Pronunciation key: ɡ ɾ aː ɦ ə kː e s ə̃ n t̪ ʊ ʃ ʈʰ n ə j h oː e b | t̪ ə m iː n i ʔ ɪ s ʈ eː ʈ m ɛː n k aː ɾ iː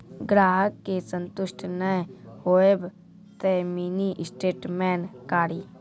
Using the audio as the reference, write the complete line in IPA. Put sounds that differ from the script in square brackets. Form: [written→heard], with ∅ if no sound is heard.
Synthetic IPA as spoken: ɡ ɾ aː ɦ ə kː e s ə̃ n t̪ ʊ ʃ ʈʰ n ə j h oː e b | t̪ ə m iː n i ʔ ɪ s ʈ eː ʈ m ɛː n k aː ɾ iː